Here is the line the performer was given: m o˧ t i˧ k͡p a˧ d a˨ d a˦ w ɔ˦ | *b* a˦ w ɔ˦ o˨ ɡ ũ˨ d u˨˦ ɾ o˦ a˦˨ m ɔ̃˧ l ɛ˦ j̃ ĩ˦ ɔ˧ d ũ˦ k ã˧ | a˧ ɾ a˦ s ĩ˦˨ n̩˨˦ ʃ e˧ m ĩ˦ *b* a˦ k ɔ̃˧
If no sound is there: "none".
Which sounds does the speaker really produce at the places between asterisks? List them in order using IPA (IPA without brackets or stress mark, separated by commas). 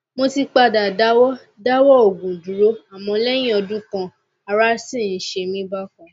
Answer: d, b